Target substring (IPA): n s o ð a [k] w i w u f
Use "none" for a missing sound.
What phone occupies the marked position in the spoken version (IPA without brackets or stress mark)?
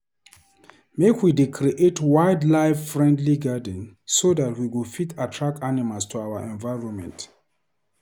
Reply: t